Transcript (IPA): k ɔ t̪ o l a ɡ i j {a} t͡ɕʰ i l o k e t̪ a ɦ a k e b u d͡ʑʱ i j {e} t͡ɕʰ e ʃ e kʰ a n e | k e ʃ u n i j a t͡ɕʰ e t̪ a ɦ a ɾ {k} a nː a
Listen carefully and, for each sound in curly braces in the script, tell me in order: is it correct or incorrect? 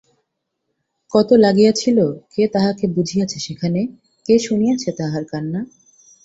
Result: correct, incorrect, correct

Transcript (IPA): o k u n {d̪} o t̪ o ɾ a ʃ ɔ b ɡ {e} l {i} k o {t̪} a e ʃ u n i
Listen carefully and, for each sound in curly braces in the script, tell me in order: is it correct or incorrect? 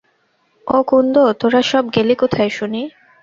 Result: correct, correct, correct, incorrect

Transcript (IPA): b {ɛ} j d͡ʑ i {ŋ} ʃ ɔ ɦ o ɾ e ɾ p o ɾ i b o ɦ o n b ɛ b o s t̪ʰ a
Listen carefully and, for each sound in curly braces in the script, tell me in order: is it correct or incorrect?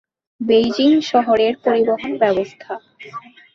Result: incorrect, correct

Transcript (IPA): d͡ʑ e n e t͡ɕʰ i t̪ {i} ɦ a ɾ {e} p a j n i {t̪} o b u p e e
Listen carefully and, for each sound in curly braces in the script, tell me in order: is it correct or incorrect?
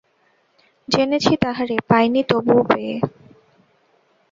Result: incorrect, correct, correct

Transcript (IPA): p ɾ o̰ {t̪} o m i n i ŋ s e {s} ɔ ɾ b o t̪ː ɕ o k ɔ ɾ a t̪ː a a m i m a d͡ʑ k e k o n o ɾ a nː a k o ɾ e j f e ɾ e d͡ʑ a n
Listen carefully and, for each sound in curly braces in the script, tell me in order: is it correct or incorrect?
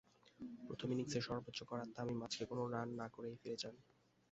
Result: incorrect, incorrect

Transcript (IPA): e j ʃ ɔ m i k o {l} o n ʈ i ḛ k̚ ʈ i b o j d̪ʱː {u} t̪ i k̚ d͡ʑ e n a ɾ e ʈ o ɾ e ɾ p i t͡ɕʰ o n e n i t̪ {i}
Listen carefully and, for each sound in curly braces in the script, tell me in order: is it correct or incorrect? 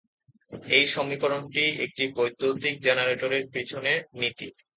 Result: incorrect, incorrect, correct

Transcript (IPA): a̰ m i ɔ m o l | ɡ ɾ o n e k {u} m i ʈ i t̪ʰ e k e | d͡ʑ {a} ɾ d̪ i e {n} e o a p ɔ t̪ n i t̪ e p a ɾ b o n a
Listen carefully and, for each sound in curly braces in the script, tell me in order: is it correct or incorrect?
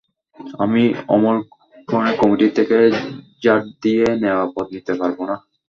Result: incorrect, correct, correct

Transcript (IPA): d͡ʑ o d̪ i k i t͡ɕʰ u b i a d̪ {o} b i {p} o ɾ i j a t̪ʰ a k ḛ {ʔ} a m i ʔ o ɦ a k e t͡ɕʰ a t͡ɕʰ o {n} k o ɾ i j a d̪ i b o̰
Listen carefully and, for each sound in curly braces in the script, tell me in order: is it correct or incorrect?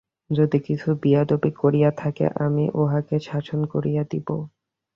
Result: correct, incorrect, correct, correct

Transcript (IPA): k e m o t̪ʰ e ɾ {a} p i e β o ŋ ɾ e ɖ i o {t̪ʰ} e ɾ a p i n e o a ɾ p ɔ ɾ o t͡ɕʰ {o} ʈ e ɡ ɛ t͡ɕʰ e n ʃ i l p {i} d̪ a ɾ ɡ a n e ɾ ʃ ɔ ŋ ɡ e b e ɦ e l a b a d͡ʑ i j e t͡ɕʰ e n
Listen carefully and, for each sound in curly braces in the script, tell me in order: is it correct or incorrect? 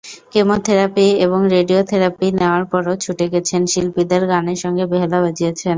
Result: correct, correct, incorrect, correct

